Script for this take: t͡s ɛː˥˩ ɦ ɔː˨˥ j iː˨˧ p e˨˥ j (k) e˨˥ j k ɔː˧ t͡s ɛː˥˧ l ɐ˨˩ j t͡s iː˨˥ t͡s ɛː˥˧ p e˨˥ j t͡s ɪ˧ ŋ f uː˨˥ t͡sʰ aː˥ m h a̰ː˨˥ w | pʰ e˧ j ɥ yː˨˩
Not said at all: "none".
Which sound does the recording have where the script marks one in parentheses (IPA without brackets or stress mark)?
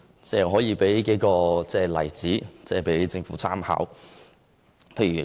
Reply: k